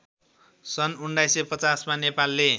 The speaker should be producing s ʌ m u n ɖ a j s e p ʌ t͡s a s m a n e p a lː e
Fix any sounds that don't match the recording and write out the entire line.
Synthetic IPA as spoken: s ʌ n u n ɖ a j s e p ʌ t͡s a s m a n e p a lː e